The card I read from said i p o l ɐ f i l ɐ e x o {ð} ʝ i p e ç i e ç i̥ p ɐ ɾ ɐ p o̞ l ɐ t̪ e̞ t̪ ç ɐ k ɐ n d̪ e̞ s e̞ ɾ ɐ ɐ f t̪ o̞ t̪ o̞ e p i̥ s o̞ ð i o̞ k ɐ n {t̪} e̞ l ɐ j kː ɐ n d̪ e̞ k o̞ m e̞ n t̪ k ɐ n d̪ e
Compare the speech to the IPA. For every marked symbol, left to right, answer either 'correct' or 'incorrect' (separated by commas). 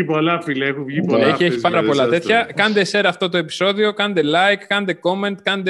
incorrect, incorrect